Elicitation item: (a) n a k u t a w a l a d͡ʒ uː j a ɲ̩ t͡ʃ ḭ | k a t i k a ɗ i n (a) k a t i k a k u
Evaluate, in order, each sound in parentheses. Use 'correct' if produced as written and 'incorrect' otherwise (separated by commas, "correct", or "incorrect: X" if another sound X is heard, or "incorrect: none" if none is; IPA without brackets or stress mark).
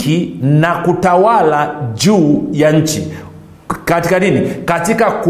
incorrect: i, incorrect: i